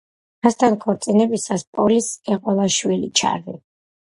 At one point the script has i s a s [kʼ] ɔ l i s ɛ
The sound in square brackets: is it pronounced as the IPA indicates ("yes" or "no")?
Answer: no